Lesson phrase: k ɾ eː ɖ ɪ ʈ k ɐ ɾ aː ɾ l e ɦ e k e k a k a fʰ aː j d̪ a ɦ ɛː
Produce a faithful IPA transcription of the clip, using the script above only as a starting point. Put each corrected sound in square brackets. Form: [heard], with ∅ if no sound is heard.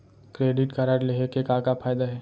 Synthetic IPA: k ɾ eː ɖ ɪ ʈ k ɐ ɾ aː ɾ l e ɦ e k e k a k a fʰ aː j d̪ a ɦ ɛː